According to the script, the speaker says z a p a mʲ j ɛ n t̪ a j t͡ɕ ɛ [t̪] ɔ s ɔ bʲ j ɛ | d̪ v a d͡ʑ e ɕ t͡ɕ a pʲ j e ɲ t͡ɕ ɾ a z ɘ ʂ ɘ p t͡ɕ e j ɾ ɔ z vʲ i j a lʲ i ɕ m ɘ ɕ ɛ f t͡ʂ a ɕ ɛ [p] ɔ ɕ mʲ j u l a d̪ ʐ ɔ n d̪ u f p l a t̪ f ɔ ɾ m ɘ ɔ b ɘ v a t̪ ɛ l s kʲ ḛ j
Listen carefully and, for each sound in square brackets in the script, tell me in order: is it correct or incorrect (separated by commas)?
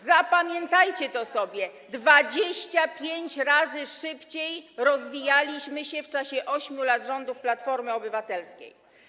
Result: correct, incorrect